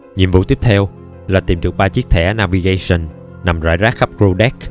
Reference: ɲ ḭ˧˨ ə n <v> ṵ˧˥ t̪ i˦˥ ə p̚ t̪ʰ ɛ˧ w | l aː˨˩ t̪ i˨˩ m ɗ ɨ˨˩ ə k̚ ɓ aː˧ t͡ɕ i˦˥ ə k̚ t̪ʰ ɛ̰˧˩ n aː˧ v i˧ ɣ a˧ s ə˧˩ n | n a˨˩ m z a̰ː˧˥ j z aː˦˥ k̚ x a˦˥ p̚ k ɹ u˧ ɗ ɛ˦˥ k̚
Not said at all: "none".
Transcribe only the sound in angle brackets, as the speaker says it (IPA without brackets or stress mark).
v